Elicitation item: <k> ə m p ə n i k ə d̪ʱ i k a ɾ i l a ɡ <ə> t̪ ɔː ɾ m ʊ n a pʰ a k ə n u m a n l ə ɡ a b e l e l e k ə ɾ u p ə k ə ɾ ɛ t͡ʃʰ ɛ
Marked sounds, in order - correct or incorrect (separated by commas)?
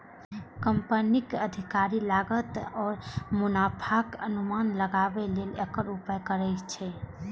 correct, correct